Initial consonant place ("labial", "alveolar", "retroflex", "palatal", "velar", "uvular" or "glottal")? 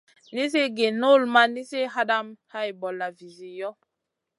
alveolar